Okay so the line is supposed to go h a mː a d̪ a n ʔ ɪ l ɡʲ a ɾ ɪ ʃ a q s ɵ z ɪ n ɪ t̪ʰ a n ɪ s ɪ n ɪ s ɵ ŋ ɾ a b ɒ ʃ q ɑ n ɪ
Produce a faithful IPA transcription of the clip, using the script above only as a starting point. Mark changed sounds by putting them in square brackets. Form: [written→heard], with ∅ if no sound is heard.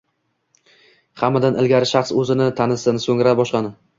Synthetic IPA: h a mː a d̪ a n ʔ ɪ l ɡʲ a ɾ ɪ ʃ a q s ɵ z ɪ n ɪ t̪ʰ a n ɪ s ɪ n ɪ s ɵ ŋ ɾ a b ɒ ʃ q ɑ n ɪ